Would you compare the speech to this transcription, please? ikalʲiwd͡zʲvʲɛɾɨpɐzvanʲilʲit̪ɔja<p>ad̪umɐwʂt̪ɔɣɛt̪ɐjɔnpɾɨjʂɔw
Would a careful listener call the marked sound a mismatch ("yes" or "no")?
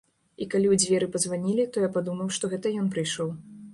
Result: no